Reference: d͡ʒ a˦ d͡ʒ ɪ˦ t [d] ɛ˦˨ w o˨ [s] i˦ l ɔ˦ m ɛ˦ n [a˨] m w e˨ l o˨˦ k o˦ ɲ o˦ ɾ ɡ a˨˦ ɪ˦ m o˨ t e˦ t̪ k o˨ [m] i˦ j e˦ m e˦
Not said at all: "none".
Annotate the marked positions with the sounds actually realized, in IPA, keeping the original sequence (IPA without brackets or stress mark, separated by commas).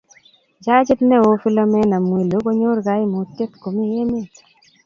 n, f, a˨, m